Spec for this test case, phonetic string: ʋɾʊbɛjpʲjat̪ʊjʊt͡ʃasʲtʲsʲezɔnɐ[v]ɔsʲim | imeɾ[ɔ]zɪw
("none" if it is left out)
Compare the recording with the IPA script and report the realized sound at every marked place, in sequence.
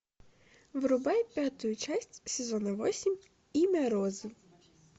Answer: ʋ, ɔ

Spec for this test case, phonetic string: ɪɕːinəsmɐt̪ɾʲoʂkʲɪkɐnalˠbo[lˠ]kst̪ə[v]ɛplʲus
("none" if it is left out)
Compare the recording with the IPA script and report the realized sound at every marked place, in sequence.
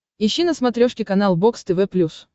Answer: none, v

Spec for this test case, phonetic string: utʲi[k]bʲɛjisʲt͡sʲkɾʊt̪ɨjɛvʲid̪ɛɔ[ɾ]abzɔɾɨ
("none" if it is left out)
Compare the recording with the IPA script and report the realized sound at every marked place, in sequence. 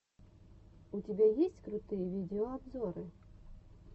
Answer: none, none

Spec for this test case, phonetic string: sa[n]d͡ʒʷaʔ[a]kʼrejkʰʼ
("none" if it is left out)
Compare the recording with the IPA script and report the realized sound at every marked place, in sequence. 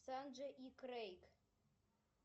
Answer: n, i

